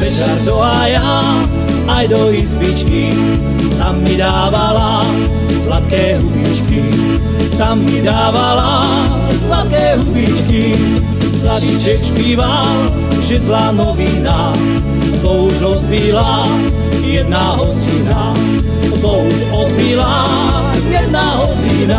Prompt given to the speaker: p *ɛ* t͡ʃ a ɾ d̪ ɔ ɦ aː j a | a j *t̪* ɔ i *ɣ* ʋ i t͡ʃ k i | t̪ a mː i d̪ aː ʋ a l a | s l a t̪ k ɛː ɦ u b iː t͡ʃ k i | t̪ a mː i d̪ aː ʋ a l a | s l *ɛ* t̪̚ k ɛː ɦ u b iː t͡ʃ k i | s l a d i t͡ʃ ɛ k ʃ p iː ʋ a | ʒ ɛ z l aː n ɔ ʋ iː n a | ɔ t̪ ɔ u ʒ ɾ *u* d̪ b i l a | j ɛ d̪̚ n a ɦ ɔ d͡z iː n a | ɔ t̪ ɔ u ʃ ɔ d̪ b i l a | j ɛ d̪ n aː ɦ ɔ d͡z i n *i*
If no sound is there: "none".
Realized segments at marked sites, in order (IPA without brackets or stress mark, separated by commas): ɛ, d̪, z, a, ɔ, a